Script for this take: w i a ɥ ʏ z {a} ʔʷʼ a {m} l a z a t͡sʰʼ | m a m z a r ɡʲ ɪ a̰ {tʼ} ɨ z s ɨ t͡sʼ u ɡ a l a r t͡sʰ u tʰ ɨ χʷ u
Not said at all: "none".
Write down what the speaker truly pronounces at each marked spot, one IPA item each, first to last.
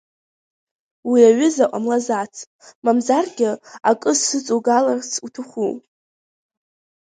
a, m, kʼ

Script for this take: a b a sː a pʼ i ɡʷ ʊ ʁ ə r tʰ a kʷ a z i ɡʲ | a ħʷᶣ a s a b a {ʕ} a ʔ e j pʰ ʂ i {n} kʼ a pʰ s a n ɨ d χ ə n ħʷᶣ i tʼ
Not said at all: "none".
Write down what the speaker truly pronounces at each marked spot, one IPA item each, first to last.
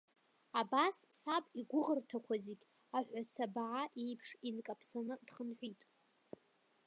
ʕ, n

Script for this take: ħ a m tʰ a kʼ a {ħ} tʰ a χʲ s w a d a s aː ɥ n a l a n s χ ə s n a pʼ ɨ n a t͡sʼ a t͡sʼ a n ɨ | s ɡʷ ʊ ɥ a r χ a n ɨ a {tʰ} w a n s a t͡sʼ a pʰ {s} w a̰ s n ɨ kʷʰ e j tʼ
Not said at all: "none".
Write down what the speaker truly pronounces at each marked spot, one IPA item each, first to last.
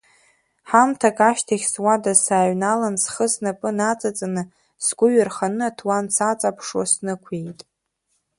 ʃ, tʰ, ʂ

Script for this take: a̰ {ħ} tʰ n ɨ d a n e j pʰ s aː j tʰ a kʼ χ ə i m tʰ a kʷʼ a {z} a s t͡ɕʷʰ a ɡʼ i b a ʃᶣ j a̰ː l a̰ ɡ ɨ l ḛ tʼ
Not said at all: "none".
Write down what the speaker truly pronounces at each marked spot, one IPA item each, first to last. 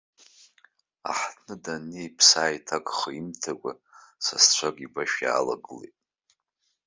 ħ, s

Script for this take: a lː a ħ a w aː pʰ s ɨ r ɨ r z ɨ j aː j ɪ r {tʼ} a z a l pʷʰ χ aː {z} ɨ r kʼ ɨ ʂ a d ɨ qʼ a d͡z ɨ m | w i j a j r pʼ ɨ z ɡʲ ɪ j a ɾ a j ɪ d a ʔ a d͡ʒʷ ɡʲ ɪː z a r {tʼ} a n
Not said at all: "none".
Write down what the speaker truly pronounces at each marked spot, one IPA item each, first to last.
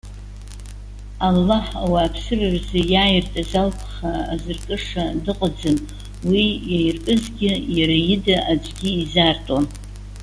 tʼ, z, tʼ

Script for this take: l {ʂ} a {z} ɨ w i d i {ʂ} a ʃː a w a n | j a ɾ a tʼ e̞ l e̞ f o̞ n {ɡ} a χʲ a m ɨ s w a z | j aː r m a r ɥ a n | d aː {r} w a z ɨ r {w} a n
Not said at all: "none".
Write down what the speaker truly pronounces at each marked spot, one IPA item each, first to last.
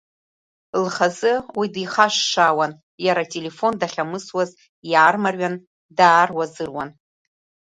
χ, z, χ, d, r, w

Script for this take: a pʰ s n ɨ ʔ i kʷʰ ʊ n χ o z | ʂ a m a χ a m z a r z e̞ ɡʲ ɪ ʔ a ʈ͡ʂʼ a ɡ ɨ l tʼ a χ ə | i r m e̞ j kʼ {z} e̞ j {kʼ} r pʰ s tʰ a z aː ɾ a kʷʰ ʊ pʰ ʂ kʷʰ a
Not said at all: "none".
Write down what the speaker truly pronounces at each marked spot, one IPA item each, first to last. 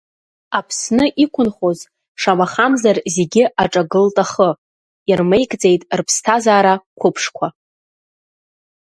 d͡z, tʼ

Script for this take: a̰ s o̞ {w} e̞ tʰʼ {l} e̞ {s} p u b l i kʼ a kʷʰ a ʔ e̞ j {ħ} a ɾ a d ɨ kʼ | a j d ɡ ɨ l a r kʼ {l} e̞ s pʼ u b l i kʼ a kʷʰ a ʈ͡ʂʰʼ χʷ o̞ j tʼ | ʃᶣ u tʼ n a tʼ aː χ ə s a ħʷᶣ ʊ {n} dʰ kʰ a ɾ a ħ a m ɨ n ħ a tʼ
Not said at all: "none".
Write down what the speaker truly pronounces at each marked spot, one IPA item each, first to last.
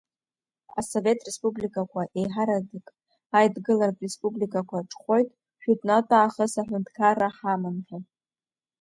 v, r, s, ħ, r, n

